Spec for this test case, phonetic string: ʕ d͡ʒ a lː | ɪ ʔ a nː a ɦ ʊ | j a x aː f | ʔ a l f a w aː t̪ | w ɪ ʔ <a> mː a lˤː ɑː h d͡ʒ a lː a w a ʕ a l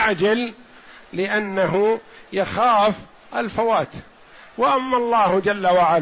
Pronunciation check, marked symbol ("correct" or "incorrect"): correct